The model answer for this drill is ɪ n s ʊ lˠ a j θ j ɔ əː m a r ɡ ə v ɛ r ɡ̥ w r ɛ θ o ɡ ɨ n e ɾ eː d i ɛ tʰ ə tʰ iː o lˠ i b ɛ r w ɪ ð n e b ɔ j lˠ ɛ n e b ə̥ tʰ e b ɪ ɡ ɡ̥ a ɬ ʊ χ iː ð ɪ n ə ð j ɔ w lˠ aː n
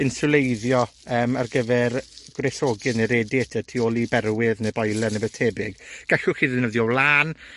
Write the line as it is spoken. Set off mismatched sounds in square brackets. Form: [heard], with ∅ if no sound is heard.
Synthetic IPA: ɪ n s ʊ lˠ [e] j [ð] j ɔ əː m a r ɡ ə v ɛ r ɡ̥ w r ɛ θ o ɡ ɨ n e ɾ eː d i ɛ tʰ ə tʰ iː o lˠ i b ɛ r w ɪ ð n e b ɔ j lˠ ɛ n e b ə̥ tʰ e b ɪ ɡ ɡ̥ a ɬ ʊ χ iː ð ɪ n ə ð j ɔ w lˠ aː n